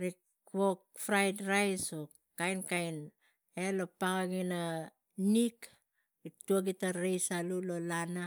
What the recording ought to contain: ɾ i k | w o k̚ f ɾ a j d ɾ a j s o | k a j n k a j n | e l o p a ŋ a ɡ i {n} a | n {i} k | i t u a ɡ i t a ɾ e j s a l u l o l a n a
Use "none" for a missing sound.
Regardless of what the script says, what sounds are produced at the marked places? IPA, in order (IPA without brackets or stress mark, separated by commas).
n, i